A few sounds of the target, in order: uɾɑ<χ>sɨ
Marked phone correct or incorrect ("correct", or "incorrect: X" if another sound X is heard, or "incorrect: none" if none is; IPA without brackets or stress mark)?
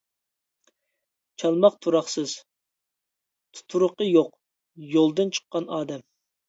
correct